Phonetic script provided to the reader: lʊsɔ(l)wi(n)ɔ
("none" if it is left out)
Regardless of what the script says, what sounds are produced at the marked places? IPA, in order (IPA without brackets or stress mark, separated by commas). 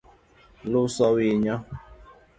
none, ɲ